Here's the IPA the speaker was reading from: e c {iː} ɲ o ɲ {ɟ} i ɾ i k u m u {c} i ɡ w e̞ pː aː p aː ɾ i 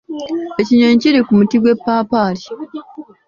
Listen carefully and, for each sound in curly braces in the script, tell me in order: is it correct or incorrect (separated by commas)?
incorrect, incorrect, incorrect